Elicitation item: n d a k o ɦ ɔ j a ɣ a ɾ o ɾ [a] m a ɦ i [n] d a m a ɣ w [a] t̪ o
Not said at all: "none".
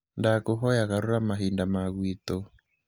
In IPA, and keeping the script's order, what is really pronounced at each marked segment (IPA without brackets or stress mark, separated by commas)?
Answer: a, n, i